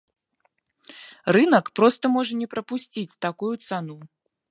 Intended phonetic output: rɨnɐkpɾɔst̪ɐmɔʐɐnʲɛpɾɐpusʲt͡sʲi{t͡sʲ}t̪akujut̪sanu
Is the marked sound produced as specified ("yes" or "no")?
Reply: yes